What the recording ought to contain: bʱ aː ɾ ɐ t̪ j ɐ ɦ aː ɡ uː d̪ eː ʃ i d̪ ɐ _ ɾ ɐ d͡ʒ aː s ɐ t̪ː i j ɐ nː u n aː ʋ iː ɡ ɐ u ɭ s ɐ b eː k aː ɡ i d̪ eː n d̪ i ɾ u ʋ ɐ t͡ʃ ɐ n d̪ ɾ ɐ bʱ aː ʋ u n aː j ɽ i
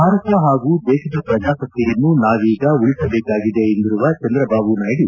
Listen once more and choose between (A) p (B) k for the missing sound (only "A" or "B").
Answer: A